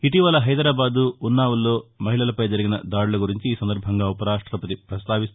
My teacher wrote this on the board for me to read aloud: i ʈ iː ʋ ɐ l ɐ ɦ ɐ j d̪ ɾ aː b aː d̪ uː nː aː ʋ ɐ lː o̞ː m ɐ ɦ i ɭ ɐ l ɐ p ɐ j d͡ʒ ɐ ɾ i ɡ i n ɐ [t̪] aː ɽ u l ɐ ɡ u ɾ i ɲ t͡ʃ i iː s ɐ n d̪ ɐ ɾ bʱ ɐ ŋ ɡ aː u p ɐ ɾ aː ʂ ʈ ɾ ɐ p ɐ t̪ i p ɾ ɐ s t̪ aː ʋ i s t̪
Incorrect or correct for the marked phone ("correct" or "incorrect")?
incorrect